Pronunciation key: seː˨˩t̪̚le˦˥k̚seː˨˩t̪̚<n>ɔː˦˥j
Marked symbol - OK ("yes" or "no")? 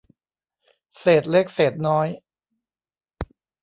yes